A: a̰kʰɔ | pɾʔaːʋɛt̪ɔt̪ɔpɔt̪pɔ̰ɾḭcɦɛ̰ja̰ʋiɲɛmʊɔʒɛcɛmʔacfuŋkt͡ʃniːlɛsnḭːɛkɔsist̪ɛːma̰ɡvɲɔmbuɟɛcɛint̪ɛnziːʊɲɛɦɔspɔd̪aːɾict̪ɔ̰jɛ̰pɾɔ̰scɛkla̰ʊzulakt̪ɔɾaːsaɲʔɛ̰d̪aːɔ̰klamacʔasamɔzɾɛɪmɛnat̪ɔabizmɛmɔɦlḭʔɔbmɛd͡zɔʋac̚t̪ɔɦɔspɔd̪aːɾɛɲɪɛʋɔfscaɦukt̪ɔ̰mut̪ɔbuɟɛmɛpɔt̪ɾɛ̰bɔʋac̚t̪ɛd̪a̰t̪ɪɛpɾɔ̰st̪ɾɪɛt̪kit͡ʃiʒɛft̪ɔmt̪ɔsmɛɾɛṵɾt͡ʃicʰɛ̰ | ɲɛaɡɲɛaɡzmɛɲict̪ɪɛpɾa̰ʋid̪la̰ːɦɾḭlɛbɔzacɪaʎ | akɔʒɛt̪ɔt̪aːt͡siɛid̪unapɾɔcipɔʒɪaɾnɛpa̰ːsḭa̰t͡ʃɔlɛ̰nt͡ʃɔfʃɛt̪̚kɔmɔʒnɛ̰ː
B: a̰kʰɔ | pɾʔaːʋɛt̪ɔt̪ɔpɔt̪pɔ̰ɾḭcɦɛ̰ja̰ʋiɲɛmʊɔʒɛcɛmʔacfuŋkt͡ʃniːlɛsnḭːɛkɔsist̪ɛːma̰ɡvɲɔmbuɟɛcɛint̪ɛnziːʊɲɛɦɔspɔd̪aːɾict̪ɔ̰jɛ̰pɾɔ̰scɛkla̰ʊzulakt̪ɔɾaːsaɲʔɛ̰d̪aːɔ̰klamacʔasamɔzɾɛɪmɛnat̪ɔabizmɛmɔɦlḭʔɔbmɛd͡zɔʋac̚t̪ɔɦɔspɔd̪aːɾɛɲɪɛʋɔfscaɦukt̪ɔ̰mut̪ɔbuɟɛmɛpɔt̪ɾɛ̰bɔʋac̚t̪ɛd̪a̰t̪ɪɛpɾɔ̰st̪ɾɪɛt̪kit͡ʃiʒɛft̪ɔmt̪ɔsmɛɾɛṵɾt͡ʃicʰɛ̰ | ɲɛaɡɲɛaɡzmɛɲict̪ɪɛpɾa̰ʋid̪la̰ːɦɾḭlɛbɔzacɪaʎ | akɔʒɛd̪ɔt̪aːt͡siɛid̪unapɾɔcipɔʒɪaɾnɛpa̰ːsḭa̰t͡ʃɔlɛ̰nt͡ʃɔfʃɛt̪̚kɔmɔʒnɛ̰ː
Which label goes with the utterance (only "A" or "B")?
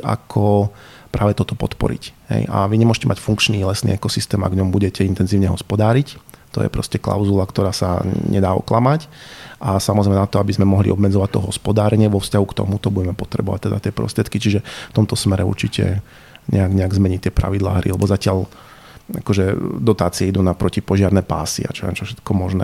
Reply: B